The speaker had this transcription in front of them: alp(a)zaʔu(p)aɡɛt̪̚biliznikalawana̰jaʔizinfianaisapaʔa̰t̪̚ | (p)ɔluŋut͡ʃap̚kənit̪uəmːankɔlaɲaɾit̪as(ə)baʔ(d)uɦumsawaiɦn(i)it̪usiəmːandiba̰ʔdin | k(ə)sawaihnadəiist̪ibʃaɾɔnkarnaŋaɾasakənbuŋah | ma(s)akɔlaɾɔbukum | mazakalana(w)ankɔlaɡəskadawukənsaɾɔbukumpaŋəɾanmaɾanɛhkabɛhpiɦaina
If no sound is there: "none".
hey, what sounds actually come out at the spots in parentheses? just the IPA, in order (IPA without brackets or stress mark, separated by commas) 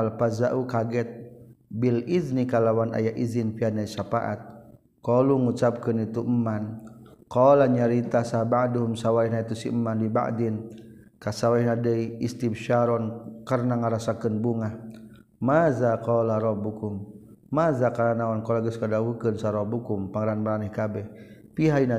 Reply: a, k, k, a, d, a, a, z, w